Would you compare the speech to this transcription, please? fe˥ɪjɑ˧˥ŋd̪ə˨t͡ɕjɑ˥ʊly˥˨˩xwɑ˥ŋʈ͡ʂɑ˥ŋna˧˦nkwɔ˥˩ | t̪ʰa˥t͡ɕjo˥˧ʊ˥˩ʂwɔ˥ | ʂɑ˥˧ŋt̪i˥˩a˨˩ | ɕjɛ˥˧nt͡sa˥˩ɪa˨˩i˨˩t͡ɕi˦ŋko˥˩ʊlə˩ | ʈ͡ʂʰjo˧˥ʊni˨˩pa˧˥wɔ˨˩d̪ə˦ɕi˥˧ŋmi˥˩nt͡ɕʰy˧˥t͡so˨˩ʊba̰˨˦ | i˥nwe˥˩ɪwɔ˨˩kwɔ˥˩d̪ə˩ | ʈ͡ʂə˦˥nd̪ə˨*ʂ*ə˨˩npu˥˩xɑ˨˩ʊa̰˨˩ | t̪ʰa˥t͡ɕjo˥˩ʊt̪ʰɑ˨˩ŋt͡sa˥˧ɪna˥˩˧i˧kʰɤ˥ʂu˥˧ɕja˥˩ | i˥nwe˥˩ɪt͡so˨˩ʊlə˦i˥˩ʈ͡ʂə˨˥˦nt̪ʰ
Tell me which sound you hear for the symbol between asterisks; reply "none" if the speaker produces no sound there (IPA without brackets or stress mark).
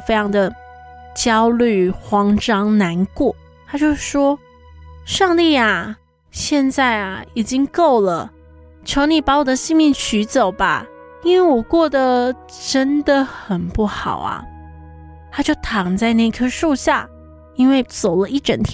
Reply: x